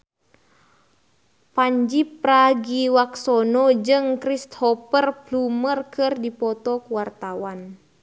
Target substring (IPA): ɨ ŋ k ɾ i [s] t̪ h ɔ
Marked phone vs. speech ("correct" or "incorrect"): correct